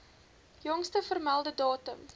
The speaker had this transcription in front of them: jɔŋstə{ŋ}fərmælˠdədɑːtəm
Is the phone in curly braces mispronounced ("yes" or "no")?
yes